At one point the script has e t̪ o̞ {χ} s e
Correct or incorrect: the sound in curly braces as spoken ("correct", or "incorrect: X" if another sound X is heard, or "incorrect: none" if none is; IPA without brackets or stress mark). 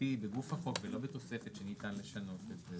incorrect: none